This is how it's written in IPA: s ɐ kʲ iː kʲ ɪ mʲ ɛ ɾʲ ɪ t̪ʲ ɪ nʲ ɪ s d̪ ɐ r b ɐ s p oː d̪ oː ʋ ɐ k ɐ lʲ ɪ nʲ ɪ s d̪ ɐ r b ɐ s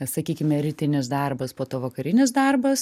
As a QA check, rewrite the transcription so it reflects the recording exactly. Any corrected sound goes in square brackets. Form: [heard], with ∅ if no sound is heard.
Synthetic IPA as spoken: s ɐ kʲ iː kʲ ɪ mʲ ɛ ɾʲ ɪ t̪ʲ ɪ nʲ ɪ s d̪ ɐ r b ɐ s p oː [t̪] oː ʋ ɐ k ɐ [ɾʲ] ɪ nʲ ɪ s d̪ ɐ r b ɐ s